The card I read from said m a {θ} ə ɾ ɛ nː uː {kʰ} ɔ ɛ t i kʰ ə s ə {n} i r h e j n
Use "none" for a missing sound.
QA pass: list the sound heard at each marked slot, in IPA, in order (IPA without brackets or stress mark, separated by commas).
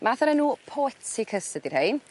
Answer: θ, pʰ, d